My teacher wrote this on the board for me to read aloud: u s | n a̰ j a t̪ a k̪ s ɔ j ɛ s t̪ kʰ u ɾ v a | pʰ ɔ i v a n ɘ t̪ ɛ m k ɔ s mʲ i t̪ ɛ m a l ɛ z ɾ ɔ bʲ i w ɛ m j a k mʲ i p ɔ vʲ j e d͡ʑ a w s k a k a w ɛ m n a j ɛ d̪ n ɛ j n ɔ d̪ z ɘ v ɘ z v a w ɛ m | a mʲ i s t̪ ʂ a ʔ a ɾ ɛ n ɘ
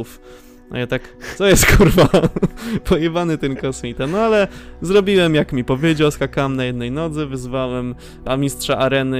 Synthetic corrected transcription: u f | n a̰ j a t̪ a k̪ s ɔ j ɛ s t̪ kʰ u ɾ v a | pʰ ɔ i v a n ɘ t̪ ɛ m k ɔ s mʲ i t̪ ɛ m a l ɛ z ɾ ɔ bʲ i w ɛ m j a k mʲ i p ɔ vʲ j e d͡ʑ a w s k a k a w ɛ m n a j ɛ d̪ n ɛ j n ɔ d̪ z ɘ v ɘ z v a w ɛ m | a mʲ i s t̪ ʂ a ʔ a ɾ ɛ n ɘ